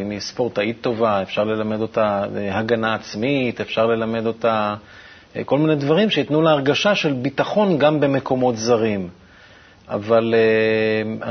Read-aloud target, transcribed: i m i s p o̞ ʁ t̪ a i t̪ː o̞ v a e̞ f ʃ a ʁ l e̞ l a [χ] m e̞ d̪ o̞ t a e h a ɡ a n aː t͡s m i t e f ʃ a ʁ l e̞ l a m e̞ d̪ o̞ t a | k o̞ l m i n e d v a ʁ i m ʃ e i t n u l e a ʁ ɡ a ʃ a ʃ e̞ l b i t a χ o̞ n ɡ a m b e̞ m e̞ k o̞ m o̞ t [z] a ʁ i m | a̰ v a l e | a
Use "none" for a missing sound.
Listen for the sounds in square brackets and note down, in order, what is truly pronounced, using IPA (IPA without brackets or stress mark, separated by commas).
none, z